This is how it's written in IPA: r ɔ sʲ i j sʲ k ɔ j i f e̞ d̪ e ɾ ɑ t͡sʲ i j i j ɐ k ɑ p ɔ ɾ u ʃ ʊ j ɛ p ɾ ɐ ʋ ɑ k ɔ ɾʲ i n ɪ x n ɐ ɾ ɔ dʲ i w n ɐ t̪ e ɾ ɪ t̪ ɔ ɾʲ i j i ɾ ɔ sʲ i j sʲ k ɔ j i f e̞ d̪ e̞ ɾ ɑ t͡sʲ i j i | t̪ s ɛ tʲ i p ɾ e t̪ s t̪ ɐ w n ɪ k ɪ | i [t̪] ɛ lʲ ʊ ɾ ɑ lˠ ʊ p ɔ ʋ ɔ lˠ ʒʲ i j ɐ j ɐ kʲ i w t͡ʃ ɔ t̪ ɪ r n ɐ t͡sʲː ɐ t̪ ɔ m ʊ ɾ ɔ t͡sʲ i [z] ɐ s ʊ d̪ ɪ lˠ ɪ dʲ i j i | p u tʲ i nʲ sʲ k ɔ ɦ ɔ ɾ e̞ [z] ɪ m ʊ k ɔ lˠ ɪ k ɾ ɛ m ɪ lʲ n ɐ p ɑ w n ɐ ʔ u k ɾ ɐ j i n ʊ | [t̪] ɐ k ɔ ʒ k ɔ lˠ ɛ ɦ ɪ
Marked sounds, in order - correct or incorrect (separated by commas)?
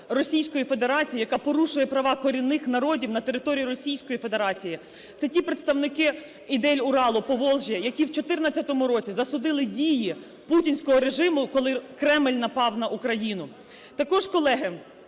incorrect, correct, incorrect, correct